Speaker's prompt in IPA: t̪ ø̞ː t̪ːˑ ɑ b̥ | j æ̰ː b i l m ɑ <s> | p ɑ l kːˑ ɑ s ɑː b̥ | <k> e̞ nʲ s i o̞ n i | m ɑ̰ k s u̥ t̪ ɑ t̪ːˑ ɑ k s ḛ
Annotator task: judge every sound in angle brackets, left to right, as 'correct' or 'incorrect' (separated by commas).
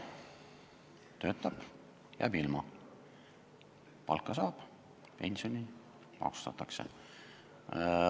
incorrect, incorrect